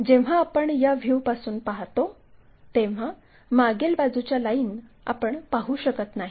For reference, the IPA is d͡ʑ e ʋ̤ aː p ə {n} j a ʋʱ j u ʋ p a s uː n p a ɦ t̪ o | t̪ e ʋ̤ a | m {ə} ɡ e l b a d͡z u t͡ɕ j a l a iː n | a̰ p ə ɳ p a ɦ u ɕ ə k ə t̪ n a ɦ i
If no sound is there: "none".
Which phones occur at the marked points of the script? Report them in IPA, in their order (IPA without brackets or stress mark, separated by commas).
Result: ɳ, a